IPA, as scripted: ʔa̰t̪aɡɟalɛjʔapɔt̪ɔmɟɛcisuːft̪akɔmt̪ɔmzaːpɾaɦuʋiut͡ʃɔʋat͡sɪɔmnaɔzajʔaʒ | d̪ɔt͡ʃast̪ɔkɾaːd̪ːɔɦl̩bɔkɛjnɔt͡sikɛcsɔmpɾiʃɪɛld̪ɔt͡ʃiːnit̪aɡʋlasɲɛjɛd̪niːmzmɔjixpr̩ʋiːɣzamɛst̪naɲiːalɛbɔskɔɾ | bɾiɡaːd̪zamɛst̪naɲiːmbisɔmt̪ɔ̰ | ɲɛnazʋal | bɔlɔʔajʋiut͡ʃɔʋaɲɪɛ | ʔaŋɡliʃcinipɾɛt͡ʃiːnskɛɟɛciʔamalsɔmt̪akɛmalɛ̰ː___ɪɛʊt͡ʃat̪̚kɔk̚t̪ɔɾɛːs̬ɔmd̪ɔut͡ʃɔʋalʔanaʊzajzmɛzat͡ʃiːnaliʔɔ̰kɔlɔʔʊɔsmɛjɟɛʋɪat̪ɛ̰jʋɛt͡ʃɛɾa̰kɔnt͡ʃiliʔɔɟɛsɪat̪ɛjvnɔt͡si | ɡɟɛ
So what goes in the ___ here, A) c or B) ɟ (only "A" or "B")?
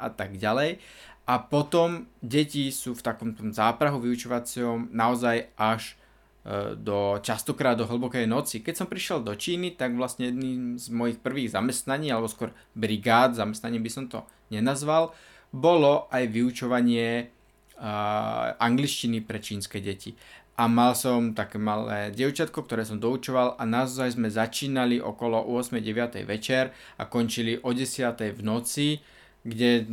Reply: B